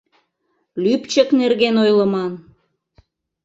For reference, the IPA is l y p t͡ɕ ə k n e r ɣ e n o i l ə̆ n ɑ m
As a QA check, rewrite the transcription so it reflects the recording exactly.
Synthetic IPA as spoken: l y p t͡ɕ ə k n e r ɣ e n o j l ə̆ m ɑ n